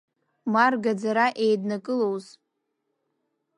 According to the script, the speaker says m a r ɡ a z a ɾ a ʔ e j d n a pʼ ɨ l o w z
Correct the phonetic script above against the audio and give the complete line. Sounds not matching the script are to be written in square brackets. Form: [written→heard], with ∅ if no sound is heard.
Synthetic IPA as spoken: m a r ɡ a [z→d͡z] a ɾ a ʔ e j d n a [pʼ→kʼ] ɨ l o w z